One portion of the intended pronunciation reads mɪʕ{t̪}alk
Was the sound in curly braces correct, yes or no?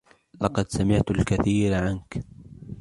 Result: yes